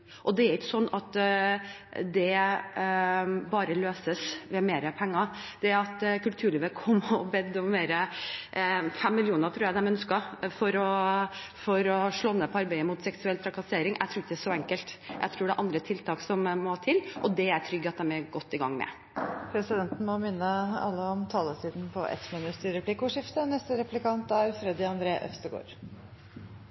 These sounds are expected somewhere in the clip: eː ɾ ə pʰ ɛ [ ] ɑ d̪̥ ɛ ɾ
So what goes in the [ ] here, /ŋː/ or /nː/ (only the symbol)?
ŋː